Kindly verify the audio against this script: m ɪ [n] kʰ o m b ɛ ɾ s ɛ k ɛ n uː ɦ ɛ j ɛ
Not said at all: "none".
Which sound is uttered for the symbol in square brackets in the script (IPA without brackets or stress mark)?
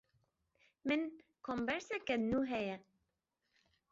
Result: n